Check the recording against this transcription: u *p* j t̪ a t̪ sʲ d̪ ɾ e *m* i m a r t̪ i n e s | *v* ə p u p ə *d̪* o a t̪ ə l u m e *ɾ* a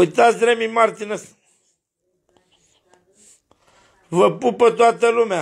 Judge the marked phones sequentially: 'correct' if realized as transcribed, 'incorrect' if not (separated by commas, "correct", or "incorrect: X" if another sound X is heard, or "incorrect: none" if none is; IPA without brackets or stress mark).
incorrect: none, correct, correct, incorrect: t̪, incorrect: none